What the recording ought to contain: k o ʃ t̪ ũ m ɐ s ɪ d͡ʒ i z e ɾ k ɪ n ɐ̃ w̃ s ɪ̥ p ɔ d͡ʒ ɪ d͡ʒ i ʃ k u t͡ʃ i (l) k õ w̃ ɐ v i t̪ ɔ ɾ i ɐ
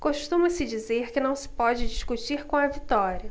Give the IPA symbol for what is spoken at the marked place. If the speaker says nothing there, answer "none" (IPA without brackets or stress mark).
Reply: ɾ